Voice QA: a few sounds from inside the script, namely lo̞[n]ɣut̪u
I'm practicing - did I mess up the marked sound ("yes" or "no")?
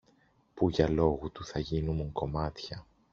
yes